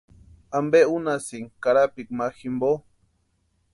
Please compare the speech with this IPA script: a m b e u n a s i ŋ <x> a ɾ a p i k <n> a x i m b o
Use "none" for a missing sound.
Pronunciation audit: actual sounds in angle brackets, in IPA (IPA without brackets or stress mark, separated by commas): k, m